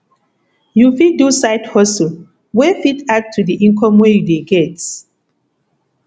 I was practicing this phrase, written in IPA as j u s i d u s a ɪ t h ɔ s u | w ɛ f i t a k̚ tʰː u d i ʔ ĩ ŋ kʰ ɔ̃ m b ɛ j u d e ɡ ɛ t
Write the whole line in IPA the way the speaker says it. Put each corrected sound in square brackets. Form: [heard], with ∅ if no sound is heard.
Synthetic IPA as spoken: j u [f] i d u s a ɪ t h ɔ s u | w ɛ f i t a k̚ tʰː u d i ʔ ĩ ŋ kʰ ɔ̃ m [w] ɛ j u d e ɡ ɛ t